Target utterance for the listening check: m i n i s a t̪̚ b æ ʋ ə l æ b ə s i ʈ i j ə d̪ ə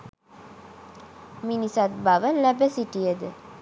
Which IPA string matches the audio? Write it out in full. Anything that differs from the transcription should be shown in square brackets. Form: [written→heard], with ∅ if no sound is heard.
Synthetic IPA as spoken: m i n i s a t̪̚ b [æ→a] ʋ ə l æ b ə s i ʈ i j ə d̪ ə

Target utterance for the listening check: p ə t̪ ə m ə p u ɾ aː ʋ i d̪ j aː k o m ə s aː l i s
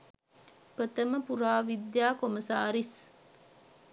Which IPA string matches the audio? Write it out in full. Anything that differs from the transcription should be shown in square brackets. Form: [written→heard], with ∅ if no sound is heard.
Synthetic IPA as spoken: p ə t̪ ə m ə p u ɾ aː ʋ i d̪ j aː k o m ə s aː [l→ɾ] i s

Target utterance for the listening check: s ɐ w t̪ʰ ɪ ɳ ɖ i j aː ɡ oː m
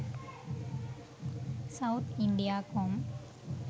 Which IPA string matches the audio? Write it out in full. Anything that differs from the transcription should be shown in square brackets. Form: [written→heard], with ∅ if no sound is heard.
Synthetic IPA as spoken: s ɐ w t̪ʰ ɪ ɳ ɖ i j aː [ɡ→k] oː m

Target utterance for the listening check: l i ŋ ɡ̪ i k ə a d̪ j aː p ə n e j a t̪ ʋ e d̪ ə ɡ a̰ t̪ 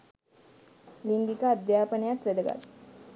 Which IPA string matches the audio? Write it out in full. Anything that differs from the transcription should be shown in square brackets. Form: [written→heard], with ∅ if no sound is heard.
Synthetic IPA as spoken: l i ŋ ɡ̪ i k ə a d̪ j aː p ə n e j a t̪ ʋ e d̪ ə ɡ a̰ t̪

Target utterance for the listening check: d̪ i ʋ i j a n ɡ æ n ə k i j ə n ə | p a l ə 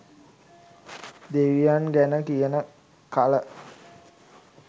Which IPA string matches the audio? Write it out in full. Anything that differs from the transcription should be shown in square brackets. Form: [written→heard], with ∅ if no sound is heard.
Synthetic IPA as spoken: d̪ [i→e] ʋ i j a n ɡ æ n ə k i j ə n ə | [p→k] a l ə

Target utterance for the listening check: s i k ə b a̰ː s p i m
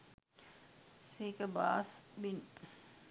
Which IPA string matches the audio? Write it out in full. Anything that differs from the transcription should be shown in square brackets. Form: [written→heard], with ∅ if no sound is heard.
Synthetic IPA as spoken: s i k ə b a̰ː s [p→b] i [m→n]

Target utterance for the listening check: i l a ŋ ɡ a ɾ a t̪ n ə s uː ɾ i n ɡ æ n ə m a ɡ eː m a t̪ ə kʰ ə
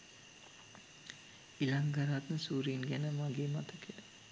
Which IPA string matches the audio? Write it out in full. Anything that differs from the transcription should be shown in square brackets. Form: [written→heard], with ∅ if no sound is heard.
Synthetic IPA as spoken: i l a ŋ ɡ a ɾ a t̪ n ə s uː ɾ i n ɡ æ n ə m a ɡ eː m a t̪ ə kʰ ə

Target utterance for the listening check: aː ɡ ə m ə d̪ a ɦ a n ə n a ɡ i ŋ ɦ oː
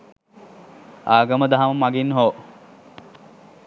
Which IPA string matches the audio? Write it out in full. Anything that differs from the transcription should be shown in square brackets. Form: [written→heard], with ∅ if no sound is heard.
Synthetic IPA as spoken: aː ɡ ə m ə d̪ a ɦ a [n→m] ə [n→m] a ɡ i [ŋ→n] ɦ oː

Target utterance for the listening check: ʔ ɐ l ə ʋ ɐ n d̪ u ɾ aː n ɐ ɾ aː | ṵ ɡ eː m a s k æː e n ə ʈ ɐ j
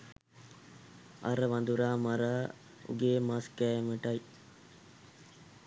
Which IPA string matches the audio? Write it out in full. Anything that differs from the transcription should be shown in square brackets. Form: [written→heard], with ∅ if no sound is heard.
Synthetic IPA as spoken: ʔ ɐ [l→ɾ] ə ʋ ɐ n d̪ u ɾ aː [n→m] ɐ ɾ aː | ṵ ɡ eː m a s k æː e [n→m] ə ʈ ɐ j

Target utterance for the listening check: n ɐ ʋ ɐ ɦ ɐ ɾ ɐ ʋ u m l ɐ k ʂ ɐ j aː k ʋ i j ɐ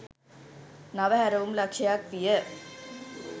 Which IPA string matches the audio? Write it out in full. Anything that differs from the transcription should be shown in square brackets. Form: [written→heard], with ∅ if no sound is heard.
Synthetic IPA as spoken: n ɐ ʋ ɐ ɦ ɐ ɾ ɐ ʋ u m l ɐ k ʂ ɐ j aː k ʋ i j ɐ

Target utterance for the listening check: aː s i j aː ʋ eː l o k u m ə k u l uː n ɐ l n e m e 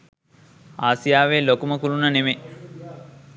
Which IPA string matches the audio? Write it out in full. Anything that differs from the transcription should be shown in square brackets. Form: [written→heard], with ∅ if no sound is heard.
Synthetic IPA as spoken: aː s i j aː ʋ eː l o k u m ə k u l [uː→u] n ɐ [l→∅] n e m e

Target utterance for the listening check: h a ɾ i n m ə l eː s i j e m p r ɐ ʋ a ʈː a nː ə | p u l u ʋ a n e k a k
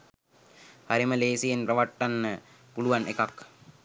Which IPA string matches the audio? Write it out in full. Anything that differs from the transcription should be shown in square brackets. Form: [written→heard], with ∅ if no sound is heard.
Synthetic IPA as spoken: h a ɾ i [n→∅] m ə l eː s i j e [m→n] p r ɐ ʋ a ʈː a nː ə | p u l u ʋ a n e k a k

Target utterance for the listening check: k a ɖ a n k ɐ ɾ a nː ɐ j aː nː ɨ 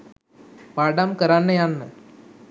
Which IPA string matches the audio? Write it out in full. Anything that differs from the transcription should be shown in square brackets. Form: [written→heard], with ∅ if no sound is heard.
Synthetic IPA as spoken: [k→p] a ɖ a [n→m] k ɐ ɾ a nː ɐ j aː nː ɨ

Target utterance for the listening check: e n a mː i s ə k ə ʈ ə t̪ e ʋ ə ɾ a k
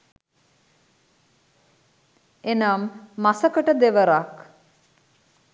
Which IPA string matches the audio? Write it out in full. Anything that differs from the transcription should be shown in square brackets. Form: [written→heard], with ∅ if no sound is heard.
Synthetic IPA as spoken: e n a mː [i→a] s ə k ə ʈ ə [t̪→d̪] e ʋ ə ɾ a k

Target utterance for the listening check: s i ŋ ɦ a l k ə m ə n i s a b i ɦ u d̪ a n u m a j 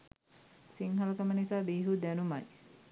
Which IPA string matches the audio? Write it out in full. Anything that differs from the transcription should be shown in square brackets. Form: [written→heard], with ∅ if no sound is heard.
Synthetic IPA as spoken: s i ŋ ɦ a l k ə m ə n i s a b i ɦ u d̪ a n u m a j

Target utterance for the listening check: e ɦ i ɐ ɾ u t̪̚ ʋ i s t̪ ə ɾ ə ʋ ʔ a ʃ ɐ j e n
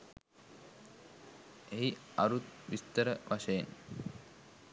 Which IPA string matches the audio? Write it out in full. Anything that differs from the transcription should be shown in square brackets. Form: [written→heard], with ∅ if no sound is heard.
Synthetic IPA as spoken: e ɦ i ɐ ɾ u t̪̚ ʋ i s t̪ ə ɾ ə ʋ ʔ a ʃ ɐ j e n

